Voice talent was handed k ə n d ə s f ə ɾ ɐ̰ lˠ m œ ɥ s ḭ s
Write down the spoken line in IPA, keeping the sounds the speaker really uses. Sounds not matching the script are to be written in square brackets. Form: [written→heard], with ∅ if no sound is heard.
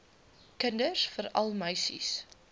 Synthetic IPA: k ə n d ə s f ə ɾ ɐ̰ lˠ m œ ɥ s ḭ s